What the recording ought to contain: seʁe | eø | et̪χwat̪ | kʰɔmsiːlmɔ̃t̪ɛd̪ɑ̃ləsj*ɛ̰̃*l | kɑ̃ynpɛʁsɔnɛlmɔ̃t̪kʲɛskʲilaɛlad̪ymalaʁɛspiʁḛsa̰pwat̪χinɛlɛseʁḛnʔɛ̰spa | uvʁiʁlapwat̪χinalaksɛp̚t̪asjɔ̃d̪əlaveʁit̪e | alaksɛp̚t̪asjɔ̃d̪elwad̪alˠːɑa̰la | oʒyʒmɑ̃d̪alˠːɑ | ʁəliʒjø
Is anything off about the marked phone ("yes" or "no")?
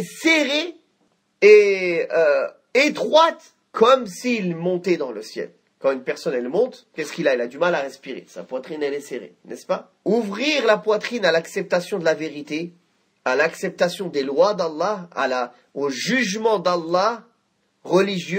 yes